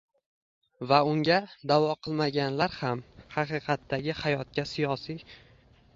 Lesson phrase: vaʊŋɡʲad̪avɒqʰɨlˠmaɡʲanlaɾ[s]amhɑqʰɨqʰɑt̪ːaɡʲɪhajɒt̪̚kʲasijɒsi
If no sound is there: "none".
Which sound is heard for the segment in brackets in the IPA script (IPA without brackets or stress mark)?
h